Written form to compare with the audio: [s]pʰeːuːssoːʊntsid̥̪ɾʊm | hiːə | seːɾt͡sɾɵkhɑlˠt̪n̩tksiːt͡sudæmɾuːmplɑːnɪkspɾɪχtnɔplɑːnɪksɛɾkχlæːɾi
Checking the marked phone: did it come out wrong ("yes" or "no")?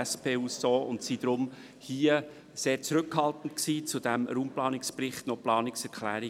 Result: no